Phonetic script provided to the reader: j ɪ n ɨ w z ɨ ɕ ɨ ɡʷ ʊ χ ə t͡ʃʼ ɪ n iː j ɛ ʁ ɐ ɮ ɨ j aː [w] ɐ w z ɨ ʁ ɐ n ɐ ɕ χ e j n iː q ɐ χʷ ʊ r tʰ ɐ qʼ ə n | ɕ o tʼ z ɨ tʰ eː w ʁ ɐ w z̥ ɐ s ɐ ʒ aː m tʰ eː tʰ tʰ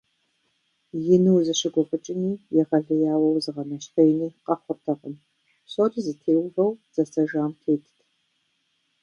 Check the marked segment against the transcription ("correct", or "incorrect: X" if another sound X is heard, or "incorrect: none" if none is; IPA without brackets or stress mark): correct